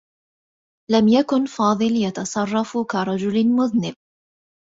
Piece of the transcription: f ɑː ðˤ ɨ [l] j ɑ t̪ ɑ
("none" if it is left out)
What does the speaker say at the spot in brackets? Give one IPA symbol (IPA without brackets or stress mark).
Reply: l